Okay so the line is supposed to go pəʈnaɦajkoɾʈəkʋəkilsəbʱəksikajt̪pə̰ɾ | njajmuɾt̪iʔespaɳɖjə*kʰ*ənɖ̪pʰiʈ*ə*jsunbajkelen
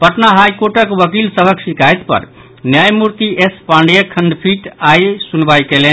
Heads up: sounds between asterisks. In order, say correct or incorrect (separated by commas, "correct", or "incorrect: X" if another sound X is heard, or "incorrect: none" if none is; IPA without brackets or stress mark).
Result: correct, incorrect: a